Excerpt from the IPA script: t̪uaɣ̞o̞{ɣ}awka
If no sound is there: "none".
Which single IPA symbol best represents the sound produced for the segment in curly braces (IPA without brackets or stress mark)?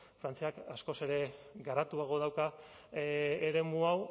ð